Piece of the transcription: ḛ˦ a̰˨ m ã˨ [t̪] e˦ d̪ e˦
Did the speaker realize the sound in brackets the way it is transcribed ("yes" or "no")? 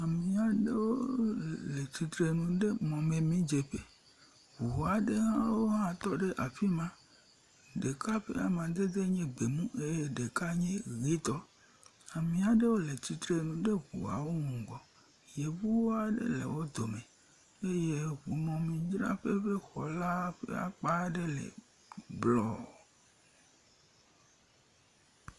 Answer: no